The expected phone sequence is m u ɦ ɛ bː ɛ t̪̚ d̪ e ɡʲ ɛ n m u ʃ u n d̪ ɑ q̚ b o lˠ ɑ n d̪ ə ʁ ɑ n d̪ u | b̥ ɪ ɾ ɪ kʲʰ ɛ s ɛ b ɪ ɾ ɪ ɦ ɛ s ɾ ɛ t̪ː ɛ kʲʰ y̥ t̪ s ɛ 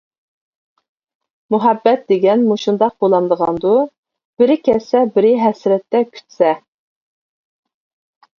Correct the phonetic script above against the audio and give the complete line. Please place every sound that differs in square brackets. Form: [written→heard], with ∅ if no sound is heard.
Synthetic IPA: m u ɦ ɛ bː ɛ t̪̚ d̪ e ɡʲ ɛ n m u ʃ u n d̪ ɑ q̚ b o lˠ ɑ n d̪ ə ʁ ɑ n d̪ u | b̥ ɪ ɾ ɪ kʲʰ ɛ s ɛ b ɪ ɾ ɪ ɦ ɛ s ɾ ɛ t̪ː ɛ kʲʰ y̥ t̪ s ɛ